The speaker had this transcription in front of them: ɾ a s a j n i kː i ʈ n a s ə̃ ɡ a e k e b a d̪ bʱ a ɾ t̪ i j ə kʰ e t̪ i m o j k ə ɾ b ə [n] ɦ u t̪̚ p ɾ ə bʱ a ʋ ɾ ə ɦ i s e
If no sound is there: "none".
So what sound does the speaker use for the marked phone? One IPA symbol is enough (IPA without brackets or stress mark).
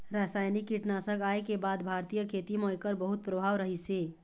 none